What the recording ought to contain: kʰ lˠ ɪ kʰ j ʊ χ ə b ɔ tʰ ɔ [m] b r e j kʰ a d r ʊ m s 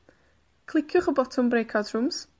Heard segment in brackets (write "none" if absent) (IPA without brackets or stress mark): m